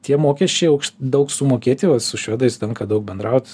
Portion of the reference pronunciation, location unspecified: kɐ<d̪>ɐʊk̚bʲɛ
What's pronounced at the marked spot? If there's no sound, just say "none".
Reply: d̪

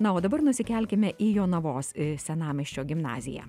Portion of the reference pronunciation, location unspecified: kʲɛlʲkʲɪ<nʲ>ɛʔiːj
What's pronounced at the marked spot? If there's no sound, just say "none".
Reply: mʲ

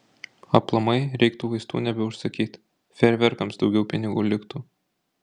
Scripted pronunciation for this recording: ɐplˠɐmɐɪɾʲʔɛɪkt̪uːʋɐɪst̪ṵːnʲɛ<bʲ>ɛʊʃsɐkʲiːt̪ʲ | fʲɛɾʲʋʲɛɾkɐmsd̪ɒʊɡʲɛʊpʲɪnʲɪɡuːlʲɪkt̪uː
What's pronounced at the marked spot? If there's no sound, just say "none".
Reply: bʲ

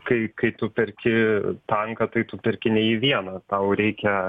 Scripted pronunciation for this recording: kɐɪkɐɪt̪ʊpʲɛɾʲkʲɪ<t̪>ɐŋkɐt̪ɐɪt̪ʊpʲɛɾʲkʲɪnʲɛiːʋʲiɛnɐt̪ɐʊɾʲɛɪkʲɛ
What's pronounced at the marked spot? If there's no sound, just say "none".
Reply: t̪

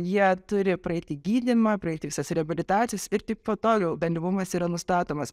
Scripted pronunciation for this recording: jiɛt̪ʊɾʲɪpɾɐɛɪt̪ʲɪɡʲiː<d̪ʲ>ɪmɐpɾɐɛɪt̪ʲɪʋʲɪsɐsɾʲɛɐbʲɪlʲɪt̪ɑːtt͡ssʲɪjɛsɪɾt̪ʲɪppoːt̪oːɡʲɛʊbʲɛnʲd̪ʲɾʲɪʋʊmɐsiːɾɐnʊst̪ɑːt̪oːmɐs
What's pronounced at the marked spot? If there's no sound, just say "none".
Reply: d̪ʲ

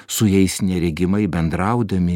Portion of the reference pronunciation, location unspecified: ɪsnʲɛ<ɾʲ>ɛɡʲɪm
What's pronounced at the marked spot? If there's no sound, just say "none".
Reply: ɾʲ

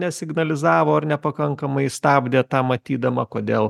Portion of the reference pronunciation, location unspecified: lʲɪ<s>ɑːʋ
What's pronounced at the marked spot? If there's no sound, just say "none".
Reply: z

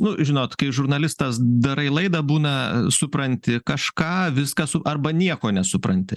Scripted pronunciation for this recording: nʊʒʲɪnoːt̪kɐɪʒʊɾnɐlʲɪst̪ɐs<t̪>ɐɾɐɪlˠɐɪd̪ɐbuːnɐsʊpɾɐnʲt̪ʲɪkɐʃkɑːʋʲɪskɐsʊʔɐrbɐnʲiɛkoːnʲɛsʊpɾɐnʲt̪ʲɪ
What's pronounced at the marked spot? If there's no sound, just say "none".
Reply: d̪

